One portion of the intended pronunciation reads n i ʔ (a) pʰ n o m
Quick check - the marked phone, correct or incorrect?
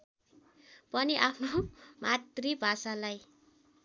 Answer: correct